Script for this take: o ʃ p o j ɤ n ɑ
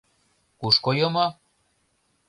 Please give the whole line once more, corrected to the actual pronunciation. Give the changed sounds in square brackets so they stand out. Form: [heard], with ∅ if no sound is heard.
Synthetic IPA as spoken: [u] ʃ [k] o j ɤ [m] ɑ